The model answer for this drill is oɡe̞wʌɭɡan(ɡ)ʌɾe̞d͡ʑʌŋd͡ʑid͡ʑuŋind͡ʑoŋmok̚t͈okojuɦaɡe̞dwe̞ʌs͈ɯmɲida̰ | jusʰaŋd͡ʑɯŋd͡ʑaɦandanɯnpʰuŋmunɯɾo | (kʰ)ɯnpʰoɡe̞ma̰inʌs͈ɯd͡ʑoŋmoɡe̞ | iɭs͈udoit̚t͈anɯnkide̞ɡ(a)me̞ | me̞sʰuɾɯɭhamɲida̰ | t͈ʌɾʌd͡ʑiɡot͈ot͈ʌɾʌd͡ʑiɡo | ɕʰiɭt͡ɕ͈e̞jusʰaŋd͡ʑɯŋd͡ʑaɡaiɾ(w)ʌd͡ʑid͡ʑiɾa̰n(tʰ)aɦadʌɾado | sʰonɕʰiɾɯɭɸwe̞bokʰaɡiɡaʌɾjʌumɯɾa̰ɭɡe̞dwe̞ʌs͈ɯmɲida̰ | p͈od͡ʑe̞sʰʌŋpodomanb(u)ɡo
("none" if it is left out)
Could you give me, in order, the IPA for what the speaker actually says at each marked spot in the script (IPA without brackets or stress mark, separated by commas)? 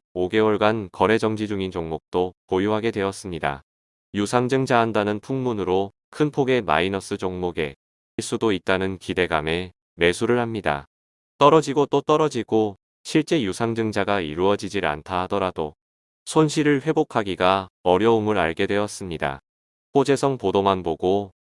k, kʰ, a, u, tʰ, o